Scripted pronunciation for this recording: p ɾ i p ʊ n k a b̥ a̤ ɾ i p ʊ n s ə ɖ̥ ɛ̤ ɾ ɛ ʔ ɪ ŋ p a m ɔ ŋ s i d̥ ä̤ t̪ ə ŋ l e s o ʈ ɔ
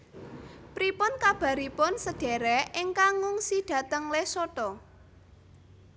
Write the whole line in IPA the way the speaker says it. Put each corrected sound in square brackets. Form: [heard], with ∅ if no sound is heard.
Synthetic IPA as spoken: p ɾ i p ʊ n k a b̥ a̤ ɾ i p ʊ n s ə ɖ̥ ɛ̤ ɾ ɛ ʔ ɪ ŋ [k] a [ŋ] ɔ ŋ s i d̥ ä̤ t̪ ə ŋ l e s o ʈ ɔ